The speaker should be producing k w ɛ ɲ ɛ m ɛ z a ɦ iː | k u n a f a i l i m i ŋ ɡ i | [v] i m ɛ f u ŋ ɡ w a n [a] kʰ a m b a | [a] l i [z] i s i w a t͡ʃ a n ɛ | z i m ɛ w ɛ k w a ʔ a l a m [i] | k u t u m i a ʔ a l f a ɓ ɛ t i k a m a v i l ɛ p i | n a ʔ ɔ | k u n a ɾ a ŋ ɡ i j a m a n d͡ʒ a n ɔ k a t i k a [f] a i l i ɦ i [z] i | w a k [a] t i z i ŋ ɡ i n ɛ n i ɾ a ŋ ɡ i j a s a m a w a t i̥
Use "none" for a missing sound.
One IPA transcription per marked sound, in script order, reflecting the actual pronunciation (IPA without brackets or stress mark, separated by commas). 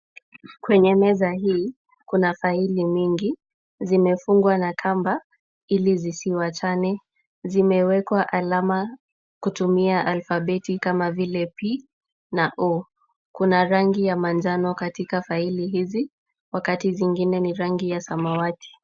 z, a, i, z, a, f, z, a